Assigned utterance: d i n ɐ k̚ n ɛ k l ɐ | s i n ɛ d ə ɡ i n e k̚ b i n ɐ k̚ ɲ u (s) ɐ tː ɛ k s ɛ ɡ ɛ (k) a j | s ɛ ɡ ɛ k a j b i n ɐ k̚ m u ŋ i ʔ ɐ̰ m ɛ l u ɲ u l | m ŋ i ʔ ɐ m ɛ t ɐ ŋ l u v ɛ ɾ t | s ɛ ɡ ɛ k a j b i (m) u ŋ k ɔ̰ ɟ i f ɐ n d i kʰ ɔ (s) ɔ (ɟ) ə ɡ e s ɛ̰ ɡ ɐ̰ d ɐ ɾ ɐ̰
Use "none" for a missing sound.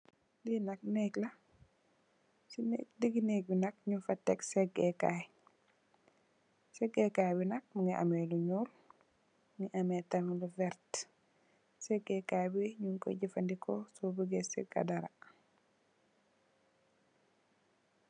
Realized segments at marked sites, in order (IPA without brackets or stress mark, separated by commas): f, k, ɲ, s, b